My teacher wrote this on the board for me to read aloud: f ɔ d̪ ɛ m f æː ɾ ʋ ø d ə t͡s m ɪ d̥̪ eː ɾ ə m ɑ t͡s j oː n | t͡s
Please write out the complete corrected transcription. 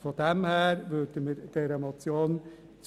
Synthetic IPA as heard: f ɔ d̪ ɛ m h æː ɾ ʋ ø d ə m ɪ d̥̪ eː ɾ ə m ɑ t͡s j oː n | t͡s